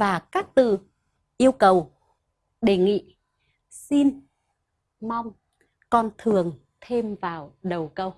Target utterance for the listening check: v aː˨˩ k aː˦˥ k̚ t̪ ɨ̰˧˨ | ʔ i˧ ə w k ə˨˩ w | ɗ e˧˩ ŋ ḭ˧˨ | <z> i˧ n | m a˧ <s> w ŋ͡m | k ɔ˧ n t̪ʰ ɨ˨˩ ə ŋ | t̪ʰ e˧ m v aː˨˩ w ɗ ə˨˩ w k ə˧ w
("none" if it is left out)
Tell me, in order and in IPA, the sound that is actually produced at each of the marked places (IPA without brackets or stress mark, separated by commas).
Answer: s, none